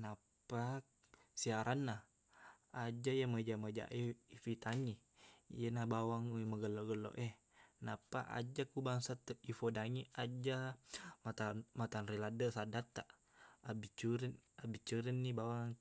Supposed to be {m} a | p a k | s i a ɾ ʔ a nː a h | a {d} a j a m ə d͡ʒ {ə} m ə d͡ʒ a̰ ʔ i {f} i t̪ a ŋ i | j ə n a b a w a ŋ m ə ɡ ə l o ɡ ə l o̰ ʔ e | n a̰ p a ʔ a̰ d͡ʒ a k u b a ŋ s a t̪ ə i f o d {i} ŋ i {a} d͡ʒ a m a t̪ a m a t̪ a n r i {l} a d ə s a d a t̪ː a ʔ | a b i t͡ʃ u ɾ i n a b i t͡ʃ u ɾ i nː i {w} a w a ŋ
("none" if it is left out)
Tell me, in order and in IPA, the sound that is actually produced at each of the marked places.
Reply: n, d͡ʒ, a, f, a, a, l, b

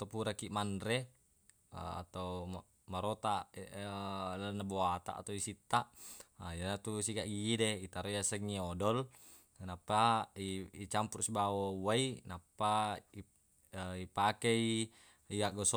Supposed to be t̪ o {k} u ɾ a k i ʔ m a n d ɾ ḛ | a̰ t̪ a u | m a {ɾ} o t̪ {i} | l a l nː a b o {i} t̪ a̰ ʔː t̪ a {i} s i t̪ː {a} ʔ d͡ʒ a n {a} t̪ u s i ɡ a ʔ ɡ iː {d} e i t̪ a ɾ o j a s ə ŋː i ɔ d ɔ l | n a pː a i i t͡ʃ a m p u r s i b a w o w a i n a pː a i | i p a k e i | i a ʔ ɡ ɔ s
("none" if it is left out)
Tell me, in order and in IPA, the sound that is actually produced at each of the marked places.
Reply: p, ɾ, a, a, i, a, a, d

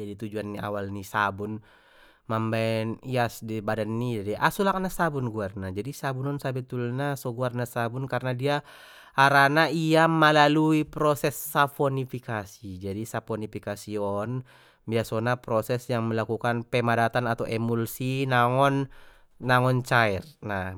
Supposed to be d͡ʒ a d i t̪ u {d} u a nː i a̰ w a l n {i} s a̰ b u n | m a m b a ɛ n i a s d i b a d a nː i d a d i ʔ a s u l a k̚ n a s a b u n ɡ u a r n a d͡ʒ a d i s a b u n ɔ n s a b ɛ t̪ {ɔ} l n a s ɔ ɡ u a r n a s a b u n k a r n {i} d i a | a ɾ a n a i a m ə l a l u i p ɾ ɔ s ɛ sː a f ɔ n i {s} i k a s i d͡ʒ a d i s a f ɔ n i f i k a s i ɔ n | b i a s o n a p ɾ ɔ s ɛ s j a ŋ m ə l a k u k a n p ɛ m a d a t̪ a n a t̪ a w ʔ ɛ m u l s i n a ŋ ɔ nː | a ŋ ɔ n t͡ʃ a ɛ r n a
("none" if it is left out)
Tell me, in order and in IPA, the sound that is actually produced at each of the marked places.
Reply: d͡ʒ, i, u, a, f

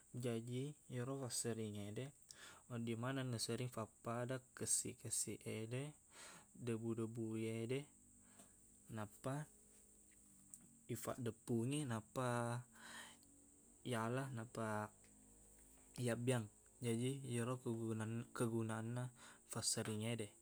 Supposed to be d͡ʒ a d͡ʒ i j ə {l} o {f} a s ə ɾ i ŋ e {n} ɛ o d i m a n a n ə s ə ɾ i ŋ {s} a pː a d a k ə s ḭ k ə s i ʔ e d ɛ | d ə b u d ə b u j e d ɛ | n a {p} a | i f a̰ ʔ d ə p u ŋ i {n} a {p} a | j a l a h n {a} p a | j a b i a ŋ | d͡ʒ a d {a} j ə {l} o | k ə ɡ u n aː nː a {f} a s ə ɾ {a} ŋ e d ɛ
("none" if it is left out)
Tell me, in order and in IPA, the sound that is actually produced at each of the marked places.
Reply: ɾ, f, d, f, p, n, p, a, i, ɾ, f, i

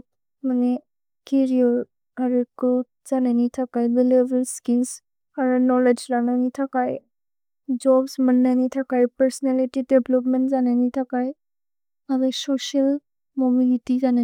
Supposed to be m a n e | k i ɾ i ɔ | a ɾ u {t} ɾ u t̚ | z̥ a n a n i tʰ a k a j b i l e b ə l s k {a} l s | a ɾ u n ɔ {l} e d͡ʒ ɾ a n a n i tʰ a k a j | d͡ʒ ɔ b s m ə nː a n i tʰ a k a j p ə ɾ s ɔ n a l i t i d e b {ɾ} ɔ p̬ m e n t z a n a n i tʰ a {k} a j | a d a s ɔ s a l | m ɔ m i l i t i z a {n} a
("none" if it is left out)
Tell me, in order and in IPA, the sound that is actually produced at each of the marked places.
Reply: k, i, l, l, k, n

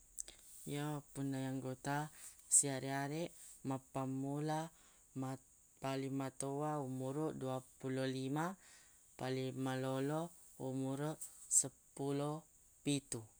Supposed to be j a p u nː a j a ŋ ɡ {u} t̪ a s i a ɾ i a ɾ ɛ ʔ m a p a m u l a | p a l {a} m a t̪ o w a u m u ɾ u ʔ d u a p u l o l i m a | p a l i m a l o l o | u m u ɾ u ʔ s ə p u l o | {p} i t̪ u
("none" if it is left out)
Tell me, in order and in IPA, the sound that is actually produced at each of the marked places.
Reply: o, i, p

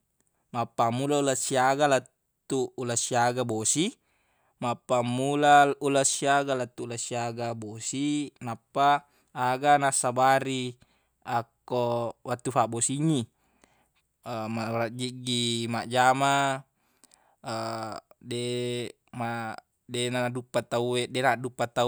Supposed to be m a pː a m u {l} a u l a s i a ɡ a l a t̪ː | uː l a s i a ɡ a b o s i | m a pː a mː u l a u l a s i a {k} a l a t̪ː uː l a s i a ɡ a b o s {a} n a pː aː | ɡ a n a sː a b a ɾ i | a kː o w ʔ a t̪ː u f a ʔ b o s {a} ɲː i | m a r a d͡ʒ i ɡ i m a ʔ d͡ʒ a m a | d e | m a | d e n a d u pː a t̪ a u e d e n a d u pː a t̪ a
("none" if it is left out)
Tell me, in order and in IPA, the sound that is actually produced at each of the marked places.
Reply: l, ɡ, i, i

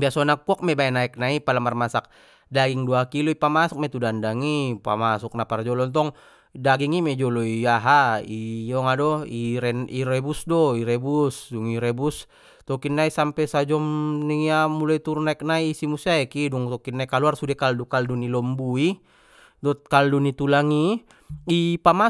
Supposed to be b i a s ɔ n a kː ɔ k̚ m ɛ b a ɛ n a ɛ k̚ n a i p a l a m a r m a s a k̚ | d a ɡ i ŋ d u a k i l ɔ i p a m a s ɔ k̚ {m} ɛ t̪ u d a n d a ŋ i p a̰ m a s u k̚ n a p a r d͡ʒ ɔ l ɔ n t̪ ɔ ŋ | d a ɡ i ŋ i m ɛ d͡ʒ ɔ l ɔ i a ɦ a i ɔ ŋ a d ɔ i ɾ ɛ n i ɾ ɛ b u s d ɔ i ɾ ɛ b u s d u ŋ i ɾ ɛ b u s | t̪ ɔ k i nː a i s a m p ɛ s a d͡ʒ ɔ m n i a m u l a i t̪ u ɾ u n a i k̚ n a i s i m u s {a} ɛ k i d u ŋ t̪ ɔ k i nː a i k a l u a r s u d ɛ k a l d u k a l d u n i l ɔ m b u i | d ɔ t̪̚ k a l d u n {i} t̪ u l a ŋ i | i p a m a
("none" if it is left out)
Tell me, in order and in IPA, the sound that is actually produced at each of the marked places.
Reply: m, a, i

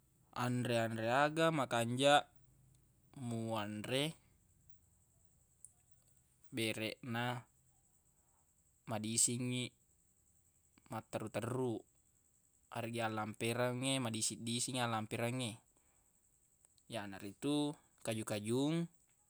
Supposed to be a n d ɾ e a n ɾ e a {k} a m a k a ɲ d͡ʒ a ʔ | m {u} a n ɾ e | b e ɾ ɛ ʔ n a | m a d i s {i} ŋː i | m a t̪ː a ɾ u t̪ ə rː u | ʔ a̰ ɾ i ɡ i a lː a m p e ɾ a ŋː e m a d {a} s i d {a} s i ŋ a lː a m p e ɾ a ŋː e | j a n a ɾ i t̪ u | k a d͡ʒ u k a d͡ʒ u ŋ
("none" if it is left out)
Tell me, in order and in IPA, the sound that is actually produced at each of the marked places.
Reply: ɡ, u, i, i, i

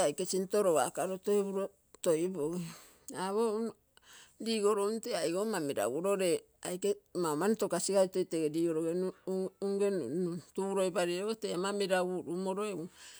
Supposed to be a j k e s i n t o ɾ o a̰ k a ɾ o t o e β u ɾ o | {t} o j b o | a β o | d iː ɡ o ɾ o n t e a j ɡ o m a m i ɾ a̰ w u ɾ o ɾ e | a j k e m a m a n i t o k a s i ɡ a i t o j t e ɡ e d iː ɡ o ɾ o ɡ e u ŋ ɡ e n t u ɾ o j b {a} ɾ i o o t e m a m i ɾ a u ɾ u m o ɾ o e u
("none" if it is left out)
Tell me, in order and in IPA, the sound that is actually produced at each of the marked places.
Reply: t, a

